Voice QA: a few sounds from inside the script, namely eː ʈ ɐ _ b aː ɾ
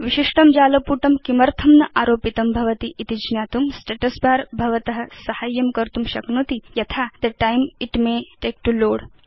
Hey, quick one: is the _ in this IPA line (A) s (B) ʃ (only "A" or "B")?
A